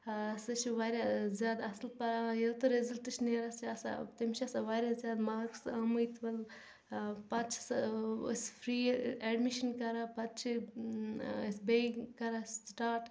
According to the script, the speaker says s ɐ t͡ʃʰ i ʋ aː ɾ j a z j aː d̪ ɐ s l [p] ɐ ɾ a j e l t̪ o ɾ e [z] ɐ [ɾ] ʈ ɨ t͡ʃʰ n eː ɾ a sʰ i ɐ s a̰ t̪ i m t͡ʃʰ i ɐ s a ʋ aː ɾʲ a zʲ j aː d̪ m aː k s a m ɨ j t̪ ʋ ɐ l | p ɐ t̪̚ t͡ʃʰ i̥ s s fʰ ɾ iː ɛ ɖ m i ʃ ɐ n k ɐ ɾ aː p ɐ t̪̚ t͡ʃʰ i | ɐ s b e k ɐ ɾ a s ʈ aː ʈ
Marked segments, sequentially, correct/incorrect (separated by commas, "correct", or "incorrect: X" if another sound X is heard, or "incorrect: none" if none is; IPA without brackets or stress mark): correct, correct, incorrect: l